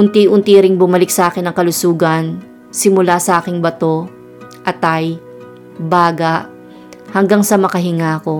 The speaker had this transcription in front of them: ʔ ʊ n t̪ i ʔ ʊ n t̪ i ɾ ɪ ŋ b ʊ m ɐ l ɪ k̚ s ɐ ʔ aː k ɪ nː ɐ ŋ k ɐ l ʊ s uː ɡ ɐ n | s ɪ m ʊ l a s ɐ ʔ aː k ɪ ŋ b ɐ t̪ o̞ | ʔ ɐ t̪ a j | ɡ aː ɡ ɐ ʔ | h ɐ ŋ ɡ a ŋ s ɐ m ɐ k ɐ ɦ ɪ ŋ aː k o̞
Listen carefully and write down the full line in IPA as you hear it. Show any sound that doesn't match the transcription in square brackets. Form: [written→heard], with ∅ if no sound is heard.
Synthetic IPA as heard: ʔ ʊ n t̪ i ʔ ʊ n t̪ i ɾ ɪ ŋ b ʊ m ɐ l ɪ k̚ s ɐ ʔ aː k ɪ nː ɐ ŋ k ɐ l ʊ s uː ɡ ɐ n | s ɪ m ʊ l a s ɐ ʔ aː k ɪ ŋ b ɐ t̪ o̞ | ʔ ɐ t̪ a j | [ɡ→b] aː ɡ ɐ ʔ | h ɐ ŋ ɡ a ŋ s ɐ m ɐ k ɐ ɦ ɪ ŋ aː k o̞